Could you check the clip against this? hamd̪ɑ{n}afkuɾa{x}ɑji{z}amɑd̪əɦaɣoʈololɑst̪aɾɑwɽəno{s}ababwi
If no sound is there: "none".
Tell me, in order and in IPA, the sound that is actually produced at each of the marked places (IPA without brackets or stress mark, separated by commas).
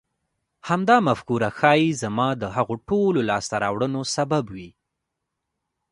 m, x, z, s